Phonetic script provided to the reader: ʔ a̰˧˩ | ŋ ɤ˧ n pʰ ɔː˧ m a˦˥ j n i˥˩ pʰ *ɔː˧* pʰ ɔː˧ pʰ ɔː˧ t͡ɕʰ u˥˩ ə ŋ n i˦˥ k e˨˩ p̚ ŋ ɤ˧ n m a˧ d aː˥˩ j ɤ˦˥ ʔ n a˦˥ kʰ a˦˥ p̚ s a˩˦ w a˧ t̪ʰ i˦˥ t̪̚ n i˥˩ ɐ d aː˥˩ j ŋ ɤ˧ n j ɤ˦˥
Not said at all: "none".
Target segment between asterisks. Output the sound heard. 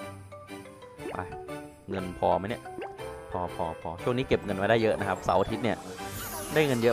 ɔː˧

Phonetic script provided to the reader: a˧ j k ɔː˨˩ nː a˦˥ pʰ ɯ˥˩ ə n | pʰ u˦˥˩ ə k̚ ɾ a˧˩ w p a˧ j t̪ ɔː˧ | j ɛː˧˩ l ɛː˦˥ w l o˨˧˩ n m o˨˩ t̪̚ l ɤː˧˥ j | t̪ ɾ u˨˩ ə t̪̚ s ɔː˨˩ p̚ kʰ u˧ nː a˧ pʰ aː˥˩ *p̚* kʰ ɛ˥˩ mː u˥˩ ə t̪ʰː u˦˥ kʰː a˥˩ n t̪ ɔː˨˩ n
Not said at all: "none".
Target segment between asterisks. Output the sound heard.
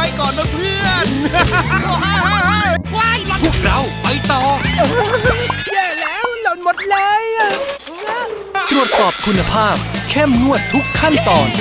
p̚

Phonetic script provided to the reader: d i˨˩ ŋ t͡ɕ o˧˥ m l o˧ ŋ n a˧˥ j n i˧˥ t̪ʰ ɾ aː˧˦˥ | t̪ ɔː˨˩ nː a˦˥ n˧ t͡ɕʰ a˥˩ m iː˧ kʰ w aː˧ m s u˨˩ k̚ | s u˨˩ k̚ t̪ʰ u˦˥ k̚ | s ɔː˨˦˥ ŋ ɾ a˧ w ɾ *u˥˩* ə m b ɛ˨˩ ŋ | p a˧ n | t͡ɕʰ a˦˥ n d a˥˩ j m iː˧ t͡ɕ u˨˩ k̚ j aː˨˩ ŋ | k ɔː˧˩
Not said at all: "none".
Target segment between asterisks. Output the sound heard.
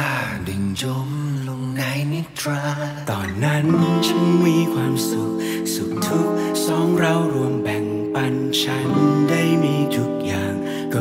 u˧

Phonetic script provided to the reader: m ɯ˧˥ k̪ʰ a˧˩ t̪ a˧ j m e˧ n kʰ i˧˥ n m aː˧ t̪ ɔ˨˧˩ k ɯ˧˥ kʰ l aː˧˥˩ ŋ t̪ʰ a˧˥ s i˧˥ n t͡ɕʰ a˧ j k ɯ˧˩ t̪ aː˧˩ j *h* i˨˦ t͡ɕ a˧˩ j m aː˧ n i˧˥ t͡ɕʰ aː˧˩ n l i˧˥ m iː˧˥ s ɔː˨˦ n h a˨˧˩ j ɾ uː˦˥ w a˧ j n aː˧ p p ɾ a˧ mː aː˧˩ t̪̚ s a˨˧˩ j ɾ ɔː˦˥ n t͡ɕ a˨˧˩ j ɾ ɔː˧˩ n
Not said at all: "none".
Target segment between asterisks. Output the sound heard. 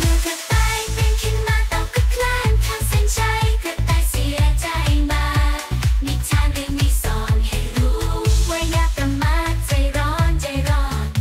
s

